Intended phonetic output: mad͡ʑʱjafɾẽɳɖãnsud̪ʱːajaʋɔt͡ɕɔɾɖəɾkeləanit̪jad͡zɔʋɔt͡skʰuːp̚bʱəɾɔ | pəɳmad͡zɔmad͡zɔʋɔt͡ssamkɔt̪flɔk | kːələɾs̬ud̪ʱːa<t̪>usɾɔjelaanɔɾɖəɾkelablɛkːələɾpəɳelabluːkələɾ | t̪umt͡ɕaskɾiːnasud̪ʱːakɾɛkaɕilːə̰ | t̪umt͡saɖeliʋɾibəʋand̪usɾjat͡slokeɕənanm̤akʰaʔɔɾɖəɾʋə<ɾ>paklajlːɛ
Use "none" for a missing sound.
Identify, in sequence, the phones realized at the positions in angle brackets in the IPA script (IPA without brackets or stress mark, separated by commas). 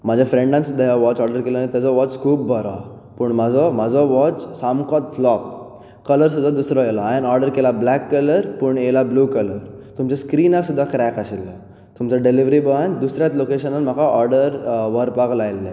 d̪, ɾ